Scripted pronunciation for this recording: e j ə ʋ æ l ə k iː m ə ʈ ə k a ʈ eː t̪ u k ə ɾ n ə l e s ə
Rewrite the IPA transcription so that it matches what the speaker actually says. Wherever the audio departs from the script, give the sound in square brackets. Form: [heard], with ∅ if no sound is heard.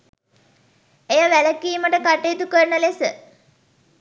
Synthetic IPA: e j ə ʋ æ l ə k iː m ə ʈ ə k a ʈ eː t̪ u k ə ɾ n ə l e s ə